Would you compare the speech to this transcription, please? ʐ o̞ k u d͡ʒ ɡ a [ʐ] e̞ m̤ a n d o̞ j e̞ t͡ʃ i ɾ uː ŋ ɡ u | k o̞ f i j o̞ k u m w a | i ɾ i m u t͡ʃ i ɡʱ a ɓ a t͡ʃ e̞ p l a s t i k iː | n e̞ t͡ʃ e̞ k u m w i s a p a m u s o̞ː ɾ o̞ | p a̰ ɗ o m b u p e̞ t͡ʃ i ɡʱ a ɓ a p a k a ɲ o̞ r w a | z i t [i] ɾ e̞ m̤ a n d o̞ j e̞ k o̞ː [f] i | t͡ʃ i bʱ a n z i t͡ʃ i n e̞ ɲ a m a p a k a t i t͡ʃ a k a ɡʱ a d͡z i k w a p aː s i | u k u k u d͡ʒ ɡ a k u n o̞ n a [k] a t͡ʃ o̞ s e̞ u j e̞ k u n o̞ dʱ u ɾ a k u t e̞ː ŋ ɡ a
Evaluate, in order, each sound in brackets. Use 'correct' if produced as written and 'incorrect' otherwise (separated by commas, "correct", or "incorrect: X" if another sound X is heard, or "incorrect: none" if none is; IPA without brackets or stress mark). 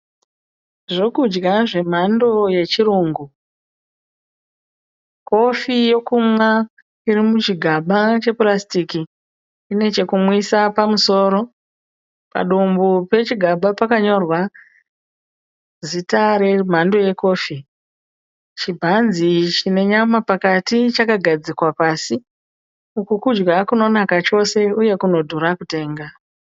correct, incorrect: a, correct, correct